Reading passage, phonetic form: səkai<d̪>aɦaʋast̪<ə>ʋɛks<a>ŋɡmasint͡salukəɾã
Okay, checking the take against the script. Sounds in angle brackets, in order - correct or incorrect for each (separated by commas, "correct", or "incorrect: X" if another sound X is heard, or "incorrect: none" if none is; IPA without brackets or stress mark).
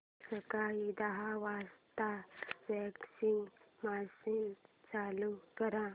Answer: correct, incorrect: a, incorrect: i